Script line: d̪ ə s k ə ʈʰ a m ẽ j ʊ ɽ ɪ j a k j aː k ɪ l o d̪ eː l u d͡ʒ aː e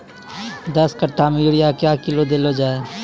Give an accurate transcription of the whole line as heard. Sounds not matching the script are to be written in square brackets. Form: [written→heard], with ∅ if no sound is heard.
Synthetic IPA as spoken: d̪ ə s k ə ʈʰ a m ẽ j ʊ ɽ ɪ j a k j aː k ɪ l o d̪ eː l [u→o] d͡ʒ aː e